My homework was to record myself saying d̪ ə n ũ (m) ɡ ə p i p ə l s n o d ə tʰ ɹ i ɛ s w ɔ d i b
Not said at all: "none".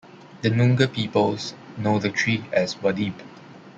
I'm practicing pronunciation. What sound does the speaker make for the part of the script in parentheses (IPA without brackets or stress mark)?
ŋ